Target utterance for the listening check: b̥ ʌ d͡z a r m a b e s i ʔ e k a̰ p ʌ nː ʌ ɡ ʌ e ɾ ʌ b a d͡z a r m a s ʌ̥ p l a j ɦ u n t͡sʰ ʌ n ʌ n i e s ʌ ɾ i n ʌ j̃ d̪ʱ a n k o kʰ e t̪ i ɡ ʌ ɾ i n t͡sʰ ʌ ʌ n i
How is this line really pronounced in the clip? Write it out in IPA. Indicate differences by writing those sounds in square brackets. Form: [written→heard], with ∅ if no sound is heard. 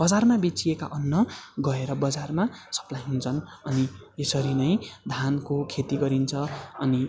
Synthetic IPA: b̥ ʌ d͡z a r m a b e [s→t͡s] i [ʔ→∅] e k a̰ [p→ʔ] ʌ nː ʌ ɡ ʌ e ɾ ʌ b [a→ʌ] d͡z a r m a s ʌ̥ p l a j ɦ u n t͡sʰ ʌ n ʌ n i e s ʌ ɾ i n ʌ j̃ d̪ʱ a n k o kʰ e t̪ i ɡ ʌ ɾ i n t͡sʰ ʌ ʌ n i